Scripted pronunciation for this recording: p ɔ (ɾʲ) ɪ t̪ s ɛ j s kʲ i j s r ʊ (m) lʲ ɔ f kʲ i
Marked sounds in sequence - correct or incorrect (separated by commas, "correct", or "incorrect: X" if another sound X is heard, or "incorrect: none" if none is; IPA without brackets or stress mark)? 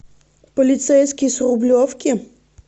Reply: incorrect: lʲ, incorrect: b